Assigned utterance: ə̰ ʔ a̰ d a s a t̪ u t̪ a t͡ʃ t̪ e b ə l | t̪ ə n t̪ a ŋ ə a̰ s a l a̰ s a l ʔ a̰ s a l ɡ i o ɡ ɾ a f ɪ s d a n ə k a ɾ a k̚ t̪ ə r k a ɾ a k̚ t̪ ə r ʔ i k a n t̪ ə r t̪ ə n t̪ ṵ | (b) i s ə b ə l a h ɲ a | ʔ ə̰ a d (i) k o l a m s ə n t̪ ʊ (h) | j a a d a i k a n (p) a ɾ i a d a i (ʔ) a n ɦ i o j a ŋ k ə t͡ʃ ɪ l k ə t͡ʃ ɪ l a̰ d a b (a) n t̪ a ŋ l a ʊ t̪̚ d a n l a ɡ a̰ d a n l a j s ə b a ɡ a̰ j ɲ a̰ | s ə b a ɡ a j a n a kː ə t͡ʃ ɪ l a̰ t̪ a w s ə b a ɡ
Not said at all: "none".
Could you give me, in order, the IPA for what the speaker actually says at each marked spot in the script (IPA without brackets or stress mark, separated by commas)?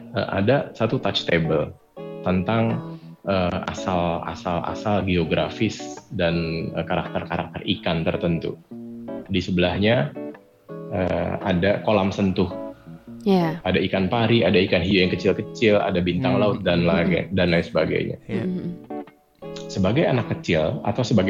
d, a, h, p, k, i